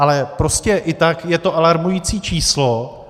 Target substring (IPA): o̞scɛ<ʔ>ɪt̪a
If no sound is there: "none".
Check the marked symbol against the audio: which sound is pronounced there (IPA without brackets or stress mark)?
ʔ